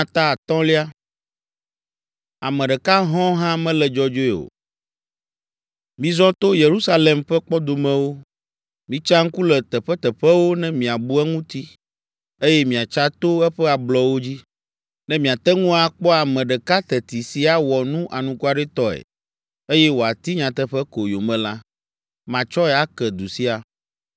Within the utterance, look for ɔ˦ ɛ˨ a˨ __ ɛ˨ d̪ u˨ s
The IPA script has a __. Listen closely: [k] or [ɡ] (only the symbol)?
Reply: k